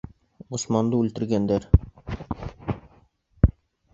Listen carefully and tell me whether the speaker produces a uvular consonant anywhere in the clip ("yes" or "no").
no